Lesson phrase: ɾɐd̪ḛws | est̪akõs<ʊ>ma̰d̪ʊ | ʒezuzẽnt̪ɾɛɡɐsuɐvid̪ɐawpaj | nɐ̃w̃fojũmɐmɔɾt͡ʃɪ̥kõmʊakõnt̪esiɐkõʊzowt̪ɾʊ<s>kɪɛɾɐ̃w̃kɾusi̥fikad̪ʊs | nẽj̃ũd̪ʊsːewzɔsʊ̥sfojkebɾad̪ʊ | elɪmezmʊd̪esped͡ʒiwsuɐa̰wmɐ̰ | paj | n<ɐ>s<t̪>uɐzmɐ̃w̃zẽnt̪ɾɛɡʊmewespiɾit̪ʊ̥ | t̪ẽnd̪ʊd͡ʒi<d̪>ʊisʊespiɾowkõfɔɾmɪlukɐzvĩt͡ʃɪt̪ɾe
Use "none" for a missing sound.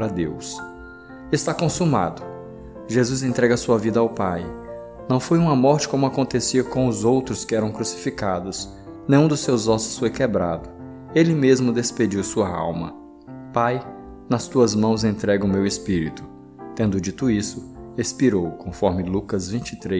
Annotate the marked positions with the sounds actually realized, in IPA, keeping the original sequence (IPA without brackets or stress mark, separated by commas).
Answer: u, s, ɐ, t̪, t̪